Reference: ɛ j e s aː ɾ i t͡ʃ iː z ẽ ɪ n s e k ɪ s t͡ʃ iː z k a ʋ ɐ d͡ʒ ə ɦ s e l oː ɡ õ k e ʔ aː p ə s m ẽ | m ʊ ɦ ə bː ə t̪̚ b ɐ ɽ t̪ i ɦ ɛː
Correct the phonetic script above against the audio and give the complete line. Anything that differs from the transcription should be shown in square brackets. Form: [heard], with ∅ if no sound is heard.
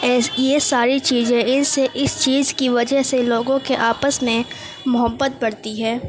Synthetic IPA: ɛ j e s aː ɾ i t͡ʃ iː z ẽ ɪ n s e [ʔ] ɪ s t͡ʃ iː z k [i] ʋ ɐ d͡ʒ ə ɦ s e l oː ɡ õ k e ʔ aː p ə s m ẽ | m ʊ ɦ ə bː ə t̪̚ b ɐ ɽ t̪ i ɦ ɛː